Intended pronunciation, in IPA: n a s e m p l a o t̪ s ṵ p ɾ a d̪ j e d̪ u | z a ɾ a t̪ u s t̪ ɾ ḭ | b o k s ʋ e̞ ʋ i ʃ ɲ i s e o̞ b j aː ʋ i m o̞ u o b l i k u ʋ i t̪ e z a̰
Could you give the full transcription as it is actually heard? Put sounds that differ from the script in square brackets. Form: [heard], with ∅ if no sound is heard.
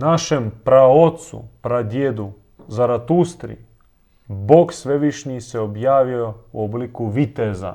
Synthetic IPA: n a [ʃ] e m p [ɾ] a o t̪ s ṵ p ɾ a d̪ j e d̪ u | z a ɾ a t̪ u s t̪ ɾ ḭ | b o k s ʋ e̞ ʋ i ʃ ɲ i s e o̞ b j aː ʋ i [∅] o̞ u o b l i k u ʋ i t̪ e z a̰